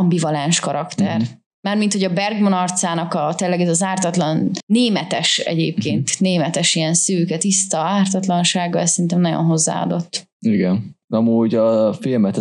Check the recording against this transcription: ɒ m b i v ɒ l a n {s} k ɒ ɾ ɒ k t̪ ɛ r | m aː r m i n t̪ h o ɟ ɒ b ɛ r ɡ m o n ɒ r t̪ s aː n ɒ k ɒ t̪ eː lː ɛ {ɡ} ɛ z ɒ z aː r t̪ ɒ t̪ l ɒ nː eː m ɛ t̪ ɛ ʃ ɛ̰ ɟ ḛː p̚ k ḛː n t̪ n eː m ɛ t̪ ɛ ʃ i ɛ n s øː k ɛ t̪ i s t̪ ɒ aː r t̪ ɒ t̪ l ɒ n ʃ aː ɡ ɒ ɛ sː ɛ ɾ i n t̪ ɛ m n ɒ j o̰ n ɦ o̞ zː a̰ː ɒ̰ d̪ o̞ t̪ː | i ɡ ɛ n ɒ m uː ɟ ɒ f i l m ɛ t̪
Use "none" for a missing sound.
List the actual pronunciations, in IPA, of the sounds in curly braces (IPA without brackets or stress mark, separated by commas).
ʃ, ɡ